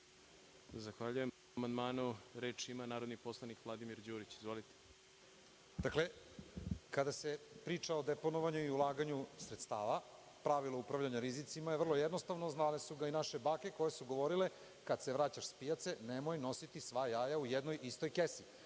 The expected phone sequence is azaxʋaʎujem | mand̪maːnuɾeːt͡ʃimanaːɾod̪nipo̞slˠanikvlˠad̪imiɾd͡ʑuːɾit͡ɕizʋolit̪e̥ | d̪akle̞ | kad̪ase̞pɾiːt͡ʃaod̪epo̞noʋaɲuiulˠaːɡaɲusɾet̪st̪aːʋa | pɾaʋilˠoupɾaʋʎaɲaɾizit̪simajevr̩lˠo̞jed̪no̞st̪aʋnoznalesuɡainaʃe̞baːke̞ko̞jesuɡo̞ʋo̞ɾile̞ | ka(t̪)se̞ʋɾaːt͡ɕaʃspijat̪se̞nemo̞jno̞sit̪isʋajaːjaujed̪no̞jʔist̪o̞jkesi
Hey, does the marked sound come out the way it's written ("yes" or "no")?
no